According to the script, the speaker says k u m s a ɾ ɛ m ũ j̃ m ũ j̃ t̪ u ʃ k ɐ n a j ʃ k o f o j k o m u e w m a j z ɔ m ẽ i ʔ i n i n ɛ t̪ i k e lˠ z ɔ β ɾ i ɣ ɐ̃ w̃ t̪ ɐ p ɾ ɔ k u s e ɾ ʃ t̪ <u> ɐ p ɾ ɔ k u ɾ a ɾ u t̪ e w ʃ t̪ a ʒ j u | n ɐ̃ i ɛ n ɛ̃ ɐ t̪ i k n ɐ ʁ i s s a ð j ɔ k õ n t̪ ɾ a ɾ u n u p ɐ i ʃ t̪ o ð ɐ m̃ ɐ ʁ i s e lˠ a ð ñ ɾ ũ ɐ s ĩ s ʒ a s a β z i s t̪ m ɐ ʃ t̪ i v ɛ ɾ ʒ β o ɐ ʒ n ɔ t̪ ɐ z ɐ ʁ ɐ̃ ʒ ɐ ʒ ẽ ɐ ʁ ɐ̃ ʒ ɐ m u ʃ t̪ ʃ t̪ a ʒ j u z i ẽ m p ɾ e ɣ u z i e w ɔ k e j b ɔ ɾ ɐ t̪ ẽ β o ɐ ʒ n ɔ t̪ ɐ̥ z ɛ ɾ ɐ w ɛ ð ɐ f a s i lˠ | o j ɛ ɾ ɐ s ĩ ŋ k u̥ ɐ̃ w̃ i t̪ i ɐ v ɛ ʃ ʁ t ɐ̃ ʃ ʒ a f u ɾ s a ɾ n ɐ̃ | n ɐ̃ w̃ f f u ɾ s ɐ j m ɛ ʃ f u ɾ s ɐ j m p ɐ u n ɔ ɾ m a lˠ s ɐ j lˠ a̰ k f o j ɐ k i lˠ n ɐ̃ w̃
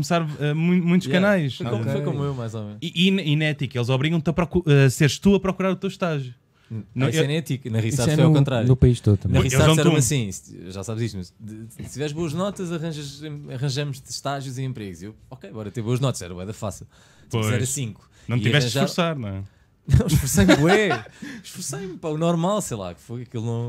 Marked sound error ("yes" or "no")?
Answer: no